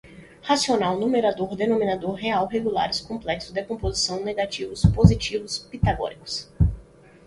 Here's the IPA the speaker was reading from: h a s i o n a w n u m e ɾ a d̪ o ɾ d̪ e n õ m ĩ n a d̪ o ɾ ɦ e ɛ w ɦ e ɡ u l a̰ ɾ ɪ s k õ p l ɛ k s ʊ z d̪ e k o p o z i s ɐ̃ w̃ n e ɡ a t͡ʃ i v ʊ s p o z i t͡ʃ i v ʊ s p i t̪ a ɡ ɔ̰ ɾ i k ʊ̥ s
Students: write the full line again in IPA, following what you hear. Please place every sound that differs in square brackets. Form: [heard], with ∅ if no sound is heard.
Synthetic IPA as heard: h a s i o n a w n u m e ɾ a d̪ o ɾ d̪ e n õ m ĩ n a d̪ o ɾ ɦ e [a] w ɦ e ɡ u l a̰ ɾ ɪ s k õ p l ɛ k s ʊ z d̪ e k [õ] p o z i s ɐ̃ w̃ n e ɡ a t͡ʃ i v ʊ s p o z i t͡ʃ i v ʊ s p i t̪ a ɡ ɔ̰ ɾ i k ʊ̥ s